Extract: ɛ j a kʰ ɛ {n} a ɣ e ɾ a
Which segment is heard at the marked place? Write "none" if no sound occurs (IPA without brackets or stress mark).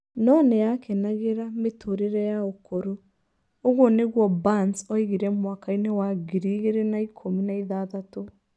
n